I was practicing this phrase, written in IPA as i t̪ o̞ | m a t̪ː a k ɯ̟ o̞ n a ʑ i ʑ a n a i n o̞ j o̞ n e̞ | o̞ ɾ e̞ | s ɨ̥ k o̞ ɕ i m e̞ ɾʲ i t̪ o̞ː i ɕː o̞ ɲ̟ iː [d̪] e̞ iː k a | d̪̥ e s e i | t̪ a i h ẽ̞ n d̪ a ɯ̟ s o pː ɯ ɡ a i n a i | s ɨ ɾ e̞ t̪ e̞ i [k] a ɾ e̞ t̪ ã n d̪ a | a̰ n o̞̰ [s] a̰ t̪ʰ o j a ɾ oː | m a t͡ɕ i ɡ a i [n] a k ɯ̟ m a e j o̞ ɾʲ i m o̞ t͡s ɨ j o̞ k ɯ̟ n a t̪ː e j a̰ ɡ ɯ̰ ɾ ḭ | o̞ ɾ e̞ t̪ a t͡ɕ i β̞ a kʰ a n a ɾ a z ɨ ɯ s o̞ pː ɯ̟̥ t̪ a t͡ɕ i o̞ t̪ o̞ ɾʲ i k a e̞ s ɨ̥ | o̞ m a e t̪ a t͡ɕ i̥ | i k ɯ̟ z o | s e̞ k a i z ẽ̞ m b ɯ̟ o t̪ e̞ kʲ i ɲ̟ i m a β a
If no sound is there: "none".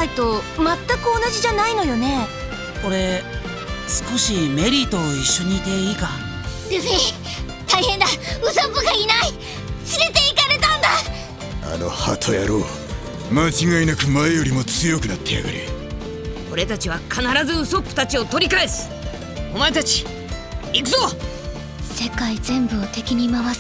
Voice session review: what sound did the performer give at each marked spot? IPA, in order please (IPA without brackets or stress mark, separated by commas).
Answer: t̪, k, h, n